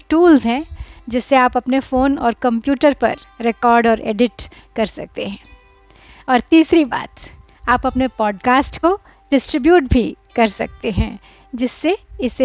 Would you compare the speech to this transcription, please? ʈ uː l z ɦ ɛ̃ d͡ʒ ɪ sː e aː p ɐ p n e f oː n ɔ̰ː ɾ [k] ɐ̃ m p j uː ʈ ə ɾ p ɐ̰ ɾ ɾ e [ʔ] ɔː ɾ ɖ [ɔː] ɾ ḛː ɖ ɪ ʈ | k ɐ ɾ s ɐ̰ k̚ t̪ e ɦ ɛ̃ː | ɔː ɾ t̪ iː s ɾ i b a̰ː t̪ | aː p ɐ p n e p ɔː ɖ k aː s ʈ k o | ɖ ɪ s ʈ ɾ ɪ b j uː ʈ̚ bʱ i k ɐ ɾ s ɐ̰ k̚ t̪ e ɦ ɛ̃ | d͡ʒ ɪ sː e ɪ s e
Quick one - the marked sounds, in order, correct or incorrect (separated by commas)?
correct, incorrect, correct